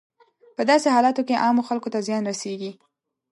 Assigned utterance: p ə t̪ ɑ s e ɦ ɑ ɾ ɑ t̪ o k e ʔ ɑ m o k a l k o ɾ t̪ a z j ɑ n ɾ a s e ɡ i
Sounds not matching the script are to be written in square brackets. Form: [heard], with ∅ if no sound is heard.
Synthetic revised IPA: p ə [d̪] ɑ s e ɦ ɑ [l] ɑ t̪ o k e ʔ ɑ m o [x] a l k o [∅] t̪ a z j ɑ n ɾ a s e ɡ i